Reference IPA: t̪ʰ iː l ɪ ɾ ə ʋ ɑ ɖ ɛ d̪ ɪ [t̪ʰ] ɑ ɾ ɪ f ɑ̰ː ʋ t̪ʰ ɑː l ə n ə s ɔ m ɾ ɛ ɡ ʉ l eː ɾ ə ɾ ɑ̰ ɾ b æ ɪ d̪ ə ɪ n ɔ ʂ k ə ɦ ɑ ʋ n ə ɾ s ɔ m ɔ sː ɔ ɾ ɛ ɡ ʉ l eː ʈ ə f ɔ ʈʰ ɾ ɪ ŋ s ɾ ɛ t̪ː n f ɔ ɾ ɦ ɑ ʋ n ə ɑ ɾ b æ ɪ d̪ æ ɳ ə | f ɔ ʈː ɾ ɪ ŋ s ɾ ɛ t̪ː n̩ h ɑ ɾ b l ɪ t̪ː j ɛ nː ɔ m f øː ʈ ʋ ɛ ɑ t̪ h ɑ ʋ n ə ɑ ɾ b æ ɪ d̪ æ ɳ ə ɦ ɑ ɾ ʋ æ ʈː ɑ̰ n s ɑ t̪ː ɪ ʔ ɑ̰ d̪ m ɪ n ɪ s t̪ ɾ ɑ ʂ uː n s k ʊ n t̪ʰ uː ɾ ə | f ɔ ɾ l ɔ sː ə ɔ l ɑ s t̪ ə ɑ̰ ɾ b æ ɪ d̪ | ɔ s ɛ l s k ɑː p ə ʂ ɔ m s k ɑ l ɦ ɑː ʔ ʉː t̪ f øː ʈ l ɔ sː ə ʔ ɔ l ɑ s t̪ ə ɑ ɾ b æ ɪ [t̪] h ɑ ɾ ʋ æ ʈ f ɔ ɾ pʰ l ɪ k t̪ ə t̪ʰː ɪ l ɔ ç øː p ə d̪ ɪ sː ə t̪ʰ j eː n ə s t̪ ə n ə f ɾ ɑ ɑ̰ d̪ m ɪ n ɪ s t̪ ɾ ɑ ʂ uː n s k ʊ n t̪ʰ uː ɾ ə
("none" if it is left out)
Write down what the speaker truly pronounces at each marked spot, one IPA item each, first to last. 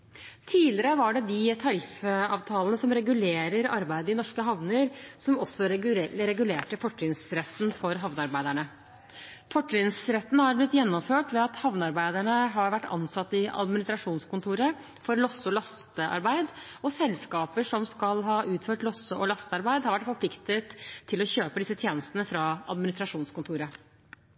t̪ʰ, d̪

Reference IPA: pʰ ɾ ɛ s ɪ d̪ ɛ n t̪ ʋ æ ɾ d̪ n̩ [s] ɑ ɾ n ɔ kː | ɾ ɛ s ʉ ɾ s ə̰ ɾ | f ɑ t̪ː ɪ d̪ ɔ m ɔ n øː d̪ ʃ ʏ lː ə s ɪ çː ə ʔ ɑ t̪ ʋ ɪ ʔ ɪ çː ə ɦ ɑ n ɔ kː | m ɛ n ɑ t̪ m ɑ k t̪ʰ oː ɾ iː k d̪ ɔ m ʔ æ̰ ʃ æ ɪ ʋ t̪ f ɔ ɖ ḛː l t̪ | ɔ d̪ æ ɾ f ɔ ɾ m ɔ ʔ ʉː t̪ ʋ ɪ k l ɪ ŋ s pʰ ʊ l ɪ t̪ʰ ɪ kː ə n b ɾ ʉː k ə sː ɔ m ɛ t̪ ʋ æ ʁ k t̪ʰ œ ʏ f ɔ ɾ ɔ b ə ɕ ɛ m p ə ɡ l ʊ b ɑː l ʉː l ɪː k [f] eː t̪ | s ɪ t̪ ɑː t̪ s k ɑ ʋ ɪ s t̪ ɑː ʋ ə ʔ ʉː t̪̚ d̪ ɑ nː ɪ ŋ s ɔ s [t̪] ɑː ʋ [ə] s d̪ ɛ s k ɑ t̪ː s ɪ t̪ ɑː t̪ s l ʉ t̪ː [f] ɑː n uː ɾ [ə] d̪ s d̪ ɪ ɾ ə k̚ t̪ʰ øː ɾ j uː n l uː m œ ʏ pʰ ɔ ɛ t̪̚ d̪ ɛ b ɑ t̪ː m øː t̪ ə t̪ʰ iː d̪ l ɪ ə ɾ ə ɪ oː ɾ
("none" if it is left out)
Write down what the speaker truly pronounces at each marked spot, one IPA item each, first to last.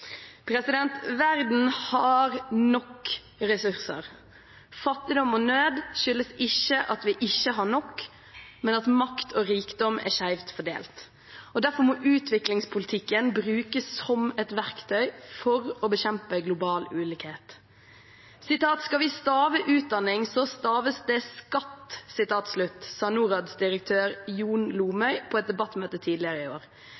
h, h, t̪, ə, s, ɑ

